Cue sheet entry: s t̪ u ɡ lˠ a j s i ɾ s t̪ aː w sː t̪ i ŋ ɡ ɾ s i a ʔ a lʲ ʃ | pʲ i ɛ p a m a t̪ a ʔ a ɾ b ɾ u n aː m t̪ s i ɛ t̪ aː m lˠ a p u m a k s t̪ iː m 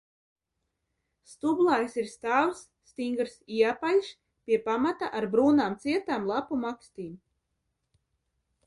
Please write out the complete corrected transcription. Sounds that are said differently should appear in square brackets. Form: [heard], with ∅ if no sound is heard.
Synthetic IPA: s t̪ u [b] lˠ a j s i ɾ s t̪ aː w sː t̪ i ŋ ɡ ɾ s i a [p] a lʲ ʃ | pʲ i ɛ p a m a t̪ a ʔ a ɾ b ɾ [uː] n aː m t̪ s i ɛ t̪ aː m lˠ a p u m a k s t̪ iː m